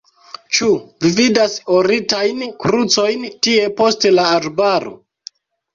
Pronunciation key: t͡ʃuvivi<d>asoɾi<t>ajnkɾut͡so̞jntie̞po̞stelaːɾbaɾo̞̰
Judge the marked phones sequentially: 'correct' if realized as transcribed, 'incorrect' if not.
correct, correct

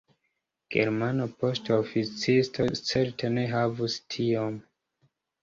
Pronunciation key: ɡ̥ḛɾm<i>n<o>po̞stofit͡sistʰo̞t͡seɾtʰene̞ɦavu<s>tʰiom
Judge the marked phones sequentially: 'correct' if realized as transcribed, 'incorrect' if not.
incorrect: a, correct, correct

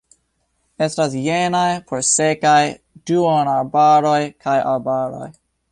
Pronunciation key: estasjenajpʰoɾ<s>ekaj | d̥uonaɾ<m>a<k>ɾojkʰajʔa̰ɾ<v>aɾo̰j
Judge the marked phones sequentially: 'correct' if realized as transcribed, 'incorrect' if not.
correct, incorrect: b, incorrect: none, incorrect: b

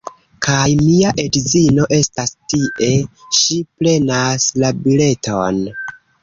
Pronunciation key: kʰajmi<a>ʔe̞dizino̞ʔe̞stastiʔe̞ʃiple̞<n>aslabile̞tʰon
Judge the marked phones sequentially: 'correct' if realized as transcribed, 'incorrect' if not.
correct, correct

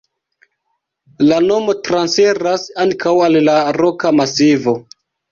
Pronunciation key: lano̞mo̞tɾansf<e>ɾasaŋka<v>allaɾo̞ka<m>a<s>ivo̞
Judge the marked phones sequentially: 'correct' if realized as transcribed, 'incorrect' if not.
correct, incorrect: w, correct, correct

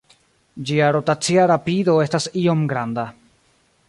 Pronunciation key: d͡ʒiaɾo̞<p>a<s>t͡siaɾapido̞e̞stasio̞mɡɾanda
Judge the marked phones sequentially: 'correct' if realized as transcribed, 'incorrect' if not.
incorrect: t, incorrect: none

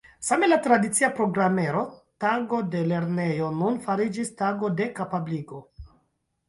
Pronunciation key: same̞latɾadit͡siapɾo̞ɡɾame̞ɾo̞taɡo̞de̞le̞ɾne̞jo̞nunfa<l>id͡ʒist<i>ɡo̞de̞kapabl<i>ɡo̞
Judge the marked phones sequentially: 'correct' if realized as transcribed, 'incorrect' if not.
incorrect: ɾ, incorrect: a, correct

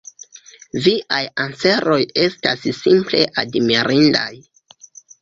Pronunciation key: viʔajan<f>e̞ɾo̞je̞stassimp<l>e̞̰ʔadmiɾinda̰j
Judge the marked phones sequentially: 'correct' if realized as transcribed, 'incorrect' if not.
incorrect: s, correct

